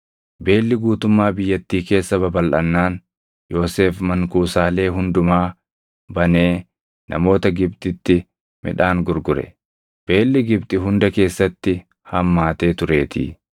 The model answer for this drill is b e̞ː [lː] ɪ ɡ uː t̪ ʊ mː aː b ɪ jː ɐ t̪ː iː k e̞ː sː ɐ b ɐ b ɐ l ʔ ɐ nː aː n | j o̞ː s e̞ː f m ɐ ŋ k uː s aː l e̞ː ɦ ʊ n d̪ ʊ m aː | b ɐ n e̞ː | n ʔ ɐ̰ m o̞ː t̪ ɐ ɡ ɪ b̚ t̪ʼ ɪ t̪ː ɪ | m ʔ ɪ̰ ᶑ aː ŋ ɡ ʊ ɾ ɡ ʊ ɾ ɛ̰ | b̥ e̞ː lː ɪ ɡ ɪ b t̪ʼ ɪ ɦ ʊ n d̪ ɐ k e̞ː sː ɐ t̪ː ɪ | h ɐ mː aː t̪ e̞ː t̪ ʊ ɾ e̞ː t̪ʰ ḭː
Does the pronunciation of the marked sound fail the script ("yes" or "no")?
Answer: no